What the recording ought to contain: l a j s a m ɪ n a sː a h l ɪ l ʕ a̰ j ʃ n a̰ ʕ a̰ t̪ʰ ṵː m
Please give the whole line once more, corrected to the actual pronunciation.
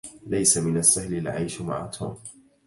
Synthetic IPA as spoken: l a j s a m ɪ n a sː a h l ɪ l ʕ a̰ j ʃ m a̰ ʕ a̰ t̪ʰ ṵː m